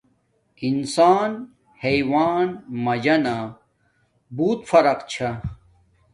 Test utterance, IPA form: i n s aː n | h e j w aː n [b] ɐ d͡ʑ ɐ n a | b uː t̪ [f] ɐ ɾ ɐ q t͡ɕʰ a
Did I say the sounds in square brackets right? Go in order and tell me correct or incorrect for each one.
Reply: incorrect: m, correct

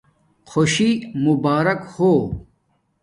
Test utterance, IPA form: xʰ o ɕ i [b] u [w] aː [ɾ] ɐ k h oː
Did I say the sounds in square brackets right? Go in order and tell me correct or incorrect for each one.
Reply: incorrect: m, incorrect: b, correct

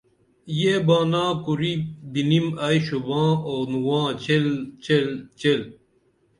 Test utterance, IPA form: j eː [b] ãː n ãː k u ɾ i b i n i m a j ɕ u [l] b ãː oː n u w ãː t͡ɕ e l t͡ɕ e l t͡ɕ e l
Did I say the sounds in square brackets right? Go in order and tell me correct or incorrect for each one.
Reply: correct, incorrect: none

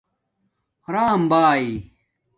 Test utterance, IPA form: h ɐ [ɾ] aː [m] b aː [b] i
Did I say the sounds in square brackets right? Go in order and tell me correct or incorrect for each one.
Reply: correct, correct, incorrect: none

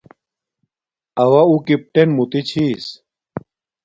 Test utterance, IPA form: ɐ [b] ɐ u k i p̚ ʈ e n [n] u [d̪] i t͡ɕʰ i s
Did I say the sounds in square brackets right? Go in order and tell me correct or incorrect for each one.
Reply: incorrect: w, incorrect: m, incorrect: t̪

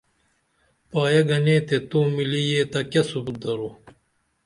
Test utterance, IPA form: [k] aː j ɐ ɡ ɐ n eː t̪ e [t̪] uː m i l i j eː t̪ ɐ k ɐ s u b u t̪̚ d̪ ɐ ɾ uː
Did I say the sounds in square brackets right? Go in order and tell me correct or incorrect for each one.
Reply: incorrect: p, correct

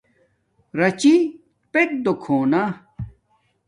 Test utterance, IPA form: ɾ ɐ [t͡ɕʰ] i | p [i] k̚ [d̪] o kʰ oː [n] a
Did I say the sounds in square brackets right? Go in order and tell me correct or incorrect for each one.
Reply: incorrect: t͡ɕ, incorrect: e, correct, correct

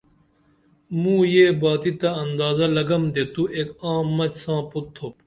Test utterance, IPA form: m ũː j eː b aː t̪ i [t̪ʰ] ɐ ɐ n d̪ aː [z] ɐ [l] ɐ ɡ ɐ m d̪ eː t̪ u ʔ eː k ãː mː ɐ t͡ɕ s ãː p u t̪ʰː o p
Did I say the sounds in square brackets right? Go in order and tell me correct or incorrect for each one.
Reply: incorrect: t̪, correct, correct

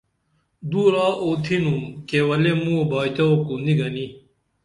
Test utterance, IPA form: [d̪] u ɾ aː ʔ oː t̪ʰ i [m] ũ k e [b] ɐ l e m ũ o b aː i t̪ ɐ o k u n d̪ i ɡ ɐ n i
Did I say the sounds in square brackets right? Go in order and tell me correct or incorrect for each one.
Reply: correct, incorrect: n, incorrect: w

